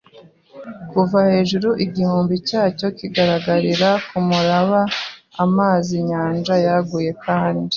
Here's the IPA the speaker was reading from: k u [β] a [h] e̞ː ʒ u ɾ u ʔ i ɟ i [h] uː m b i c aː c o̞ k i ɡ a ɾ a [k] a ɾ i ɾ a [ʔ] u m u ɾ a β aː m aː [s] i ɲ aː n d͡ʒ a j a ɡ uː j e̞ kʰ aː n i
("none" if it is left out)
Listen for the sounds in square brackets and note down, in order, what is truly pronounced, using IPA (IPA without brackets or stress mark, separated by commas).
v, h, h, ɡ, k, z